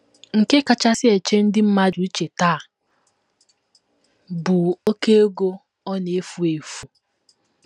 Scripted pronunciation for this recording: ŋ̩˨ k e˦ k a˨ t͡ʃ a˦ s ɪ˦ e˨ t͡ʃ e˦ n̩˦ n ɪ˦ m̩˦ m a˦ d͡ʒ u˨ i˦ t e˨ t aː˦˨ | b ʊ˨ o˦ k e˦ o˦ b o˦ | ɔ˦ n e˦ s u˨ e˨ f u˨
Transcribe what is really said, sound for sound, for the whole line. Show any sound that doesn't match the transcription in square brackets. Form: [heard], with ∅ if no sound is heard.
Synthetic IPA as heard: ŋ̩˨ k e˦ k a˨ t͡ʃ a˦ s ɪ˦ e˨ t͡ʃ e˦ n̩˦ [d] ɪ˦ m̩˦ m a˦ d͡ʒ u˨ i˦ [t͡ʃ] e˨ t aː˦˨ | b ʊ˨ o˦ k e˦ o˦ [ɡ] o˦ | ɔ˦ n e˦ [f] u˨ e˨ f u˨